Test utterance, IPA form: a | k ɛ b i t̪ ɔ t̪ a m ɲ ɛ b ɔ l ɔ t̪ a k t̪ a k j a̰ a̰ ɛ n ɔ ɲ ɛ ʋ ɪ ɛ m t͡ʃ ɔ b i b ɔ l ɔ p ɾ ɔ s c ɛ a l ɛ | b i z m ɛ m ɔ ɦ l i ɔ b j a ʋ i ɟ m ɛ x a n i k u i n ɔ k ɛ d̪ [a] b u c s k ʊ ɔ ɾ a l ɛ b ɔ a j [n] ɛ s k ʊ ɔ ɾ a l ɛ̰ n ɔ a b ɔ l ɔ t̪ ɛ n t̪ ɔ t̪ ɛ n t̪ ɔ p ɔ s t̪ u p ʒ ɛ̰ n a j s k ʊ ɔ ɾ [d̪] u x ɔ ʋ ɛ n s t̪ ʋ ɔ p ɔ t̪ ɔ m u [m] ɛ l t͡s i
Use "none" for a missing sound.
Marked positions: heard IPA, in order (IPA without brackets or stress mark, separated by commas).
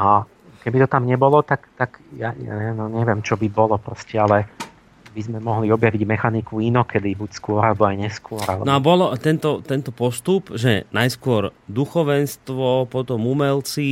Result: i, ɲ, d̪, m